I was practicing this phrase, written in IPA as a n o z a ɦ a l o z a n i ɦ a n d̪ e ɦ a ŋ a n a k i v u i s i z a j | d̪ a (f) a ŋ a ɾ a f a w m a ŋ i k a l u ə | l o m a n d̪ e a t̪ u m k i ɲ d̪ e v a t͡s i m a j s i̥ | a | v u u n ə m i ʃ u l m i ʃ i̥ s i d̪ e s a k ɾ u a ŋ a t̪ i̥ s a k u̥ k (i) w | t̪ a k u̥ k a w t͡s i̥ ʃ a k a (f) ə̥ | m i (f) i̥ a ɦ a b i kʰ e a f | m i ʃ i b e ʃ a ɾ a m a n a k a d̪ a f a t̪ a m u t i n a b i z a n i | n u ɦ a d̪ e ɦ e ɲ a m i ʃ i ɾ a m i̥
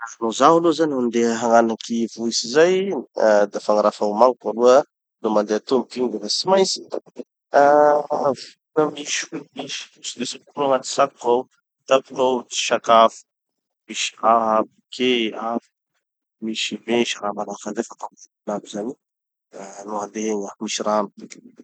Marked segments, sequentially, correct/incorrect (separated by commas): correct, incorrect, correct, incorrect